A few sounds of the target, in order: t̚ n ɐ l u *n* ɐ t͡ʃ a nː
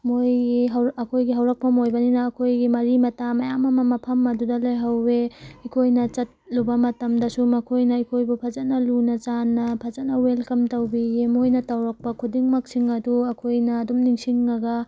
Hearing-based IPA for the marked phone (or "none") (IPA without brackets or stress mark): n